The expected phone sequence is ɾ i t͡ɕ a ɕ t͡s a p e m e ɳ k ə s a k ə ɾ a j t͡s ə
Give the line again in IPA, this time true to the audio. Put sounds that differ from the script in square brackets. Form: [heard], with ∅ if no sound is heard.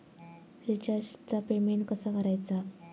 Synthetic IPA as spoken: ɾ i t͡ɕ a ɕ t͡s a p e m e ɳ k ə s a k ə ɾ a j t͡s [a]